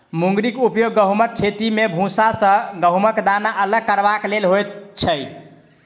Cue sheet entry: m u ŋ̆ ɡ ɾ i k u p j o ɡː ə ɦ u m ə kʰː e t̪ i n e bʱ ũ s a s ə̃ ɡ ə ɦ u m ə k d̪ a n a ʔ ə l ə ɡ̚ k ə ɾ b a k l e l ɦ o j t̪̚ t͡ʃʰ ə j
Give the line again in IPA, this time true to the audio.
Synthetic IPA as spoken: m u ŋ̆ ɡ ɾ i k u p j o ɡː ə ɦ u m ə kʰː e t̪ i m e bʱ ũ s a s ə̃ ɡ ə ɦ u m ə k d̪ a n a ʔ ə l ə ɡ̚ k ə ɾ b a k l e l ɦ o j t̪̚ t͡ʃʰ ə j

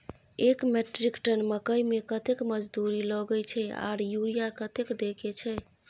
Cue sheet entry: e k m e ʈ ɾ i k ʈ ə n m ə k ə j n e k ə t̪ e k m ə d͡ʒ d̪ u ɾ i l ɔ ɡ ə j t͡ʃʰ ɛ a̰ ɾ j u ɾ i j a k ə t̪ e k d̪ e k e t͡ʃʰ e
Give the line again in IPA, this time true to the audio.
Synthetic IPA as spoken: e k m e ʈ ɾ i k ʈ ə n m ə k ə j m e k ə t̪ e k m ə d͡ʒ d̪ u ɾ i l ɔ ɡ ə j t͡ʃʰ ɛ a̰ ɾ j u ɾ i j a k ə t̪ e k d̪ e k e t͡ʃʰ ɛ

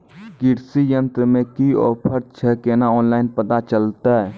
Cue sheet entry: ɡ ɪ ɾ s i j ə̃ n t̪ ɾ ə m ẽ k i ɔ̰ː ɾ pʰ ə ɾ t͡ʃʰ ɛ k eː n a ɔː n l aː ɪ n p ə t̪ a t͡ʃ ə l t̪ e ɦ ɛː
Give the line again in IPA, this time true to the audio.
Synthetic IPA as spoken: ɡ ɪ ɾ s i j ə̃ n t̪ ɾ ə m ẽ k i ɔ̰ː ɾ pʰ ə ɾ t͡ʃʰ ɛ k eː n a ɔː n l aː ɪ n p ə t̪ a t͡ʃ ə l t̪ a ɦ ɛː

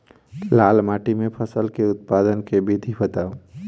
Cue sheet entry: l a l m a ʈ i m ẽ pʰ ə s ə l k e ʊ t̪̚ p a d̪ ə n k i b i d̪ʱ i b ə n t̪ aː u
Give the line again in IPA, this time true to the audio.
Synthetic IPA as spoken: l a l m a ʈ i m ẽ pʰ ə s ə l k e ʊ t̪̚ p a d̪ ə n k e b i d̪ʱ i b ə t̪ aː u

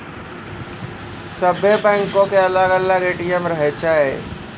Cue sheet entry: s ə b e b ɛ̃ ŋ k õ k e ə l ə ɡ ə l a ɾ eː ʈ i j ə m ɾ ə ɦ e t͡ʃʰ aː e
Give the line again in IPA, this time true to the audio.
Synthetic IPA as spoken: s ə b e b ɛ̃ ŋ k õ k e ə l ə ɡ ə l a ɾ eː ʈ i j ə m ɾ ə ɦ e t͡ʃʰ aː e

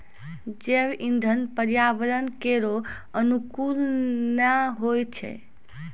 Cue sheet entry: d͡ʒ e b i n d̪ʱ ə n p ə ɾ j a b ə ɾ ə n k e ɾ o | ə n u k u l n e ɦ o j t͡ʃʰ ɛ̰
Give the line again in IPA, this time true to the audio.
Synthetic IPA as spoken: d͡ʒ e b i n d̪ʱ ə n p ə ɾ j a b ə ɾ ə n k e ɾ o | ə n u k u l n a ɦ o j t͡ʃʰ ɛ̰

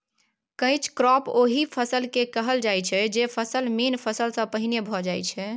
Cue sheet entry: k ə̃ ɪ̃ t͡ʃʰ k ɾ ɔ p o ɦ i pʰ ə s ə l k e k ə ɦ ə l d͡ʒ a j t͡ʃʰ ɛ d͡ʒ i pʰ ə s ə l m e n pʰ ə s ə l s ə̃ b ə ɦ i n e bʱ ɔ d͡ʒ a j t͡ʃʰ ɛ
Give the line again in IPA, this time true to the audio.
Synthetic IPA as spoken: k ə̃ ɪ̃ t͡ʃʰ k ɾ ɔ p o ɦ i pʰ ə s ə l k e k ə ɦ ə l d͡ʒ a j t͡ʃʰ ɛ d͡ʒ e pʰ ə s ə l m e n pʰ ə s ə l s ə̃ p ə ɦ i n e bʱ ɔ d͡ʒ a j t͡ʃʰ ɛ

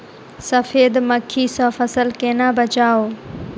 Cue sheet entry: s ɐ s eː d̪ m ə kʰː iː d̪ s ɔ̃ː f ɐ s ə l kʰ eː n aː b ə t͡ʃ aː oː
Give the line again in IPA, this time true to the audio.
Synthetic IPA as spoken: s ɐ f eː d̪ m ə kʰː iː s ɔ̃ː f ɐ s ə l k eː n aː b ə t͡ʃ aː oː

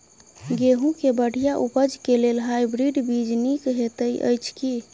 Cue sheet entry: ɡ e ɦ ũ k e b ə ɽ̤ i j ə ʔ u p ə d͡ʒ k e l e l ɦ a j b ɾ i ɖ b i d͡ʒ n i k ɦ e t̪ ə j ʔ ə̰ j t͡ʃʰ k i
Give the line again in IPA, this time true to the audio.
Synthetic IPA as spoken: ɡ e ɦ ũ k e b ə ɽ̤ i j a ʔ u p ə d͡ʒ k e l e l ɦ a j b ɾ i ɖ b i d͡ʒ n i k ɦ e t̪ ə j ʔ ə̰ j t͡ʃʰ k i

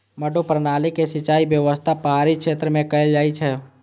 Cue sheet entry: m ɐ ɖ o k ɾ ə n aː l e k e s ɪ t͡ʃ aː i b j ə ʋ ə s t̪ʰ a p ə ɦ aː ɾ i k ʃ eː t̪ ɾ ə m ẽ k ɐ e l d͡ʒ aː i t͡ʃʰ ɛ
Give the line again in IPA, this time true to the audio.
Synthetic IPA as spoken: m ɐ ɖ o p ɾ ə n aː l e k e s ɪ t͡ʃ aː i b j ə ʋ ə s t̪ʰ a p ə ɦ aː ɾ i k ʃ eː t̪ ɾ ə m ẽ k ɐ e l d͡ʒ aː i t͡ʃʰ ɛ

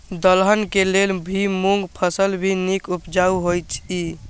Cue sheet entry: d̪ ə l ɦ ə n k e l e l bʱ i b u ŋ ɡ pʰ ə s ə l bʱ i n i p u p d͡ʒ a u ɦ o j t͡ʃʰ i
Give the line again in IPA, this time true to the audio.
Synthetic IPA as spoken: d̪ ə l ɦ ə n k e l e l bʱ i m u ŋ ɡ pʰ ə s ə l bʱ i n i k u p d͡ʒ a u ɦ o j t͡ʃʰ i

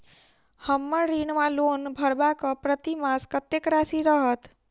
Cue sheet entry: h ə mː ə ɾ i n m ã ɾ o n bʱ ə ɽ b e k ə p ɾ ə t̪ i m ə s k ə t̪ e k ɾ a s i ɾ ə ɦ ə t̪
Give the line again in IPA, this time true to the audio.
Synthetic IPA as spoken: h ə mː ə ɾ i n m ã l o n bʱ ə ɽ b a k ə p ɾ ə t̪ i m a s k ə t̪ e k ɾ a s i ɾ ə ɦ ə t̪

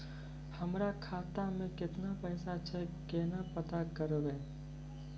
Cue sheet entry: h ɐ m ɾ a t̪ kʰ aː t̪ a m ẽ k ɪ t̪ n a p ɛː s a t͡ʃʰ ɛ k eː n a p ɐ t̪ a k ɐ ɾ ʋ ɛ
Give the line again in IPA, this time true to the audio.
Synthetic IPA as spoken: h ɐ m ɾ a kʰ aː t̪ a m ẽ k ɪ t̪ n a p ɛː s a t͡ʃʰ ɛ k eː n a p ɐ t̪ a k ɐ ɾ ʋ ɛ

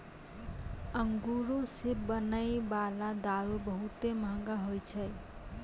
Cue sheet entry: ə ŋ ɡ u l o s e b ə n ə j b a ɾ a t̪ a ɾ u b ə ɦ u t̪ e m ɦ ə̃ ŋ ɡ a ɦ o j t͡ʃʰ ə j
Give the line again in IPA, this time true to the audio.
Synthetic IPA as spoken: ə ŋ ɡ u ɾ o s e b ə n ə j b a l a d̪ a ɾ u b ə ɦ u t̪ e m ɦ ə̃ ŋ ɡ a ɦ o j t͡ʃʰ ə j

